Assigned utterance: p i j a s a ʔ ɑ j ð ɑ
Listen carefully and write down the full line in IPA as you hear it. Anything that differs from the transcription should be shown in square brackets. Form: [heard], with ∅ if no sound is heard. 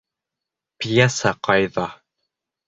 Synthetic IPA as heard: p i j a s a [q] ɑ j ð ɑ